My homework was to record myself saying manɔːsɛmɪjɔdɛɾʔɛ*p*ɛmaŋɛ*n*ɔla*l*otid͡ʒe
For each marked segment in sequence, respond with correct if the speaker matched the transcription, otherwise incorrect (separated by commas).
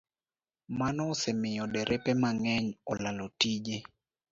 correct, incorrect, correct